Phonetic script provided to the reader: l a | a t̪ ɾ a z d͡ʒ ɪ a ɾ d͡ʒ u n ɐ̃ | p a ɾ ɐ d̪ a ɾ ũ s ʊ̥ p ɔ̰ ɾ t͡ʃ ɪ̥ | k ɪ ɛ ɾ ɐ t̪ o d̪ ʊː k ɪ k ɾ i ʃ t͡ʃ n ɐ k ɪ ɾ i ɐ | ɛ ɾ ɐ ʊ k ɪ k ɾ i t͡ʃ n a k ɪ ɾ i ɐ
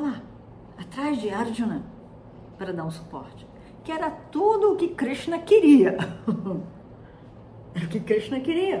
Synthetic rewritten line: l a | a t̪ ɾ a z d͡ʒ ɪ a ɾ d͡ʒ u n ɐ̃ | p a ɾ ɐ d̪ a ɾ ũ s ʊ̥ p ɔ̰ ɾ t͡ʃ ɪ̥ | k ɪ ɛ ɾ ɐ t̪ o d̪ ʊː k ɪ k ɾ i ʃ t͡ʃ n ɐ k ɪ ɾ i ɐ | ɛ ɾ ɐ ʊ k ɪ k ɾ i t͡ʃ n ɐ k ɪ ɾ i ɐ